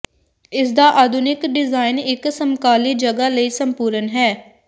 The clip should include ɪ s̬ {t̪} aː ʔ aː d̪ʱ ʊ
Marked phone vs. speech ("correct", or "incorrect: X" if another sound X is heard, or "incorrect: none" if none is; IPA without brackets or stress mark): incorrect: d̪